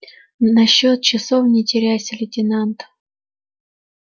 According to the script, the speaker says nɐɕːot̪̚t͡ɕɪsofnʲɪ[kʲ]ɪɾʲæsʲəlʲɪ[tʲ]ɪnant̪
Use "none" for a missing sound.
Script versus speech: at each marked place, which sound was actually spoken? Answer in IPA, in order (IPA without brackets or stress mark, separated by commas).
tʲ, tʲ